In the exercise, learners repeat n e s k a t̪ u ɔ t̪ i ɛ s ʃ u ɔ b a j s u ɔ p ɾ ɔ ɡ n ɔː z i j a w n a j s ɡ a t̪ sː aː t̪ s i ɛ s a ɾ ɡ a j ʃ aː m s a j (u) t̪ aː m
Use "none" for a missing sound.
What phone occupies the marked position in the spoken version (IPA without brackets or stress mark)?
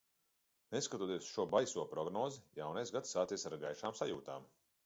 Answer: uː